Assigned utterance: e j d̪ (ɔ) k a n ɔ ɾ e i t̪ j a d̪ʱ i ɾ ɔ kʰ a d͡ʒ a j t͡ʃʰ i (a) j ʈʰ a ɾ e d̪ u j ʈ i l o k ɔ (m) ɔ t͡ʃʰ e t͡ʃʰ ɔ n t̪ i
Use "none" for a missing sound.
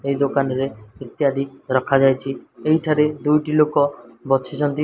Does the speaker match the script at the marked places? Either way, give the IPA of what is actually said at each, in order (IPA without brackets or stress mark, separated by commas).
o, e, b